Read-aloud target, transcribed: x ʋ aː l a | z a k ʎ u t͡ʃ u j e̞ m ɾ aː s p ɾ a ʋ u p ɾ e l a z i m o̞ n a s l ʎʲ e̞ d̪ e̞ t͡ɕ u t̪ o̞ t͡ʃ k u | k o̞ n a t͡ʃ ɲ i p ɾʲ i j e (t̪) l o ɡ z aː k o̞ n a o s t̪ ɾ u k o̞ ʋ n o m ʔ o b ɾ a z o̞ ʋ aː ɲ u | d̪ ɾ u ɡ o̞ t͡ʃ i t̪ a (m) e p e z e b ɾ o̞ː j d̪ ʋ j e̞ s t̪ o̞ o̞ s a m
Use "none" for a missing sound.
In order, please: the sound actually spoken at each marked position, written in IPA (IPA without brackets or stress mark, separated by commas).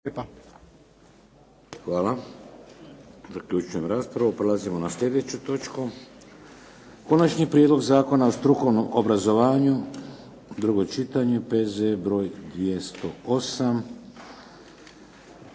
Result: d̪, ɲ